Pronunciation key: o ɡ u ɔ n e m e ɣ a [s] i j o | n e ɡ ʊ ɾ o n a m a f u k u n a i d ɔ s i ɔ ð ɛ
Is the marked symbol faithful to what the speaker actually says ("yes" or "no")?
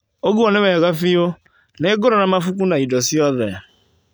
no